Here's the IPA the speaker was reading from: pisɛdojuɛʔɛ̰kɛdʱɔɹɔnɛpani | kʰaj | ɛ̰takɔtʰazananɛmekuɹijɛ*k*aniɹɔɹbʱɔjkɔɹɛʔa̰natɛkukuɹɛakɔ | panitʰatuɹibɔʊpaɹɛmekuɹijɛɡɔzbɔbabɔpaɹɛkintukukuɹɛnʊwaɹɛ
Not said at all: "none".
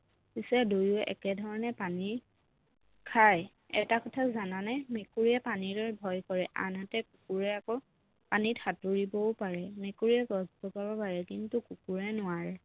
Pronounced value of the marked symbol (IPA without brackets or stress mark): p